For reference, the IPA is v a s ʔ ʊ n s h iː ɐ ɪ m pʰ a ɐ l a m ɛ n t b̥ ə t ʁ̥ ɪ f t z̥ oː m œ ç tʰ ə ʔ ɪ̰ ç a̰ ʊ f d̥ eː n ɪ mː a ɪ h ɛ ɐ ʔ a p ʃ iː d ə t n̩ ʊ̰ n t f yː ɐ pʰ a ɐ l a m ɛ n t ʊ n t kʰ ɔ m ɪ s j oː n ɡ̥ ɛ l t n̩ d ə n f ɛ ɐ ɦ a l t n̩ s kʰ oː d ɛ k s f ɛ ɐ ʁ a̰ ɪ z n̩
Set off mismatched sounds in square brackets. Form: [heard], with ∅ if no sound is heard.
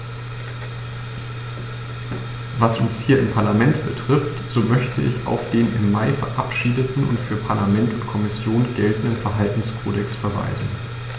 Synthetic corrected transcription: v a s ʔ ʊ n s h iː ɐ ɪ m pʰ a ɐ l a m ɛ n t b̥ ə t ʁ̥ ɪ f t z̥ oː m œ ç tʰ ə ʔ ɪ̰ ç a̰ ʊ f d̥ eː n ɪ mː a ɪ [f] ɛ ɐ ʔ a p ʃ iː d ə t n̩ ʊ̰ n t f yː ɐ pʰ a ɐ l a m ɛ n t ʊ n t kʰ ɔ m ɪ s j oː n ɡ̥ ɛ l t n̩ d ə n f ɛ ɐ ɦ a l t n̩ s kʰ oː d ɛ k s f ɛ ɐ [v] a̰ ɪ z n̩